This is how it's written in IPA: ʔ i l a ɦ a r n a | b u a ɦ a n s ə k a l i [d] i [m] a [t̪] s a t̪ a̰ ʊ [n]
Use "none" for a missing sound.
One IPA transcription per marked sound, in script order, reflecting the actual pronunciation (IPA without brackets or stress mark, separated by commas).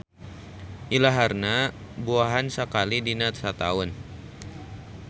d, n, t̪, n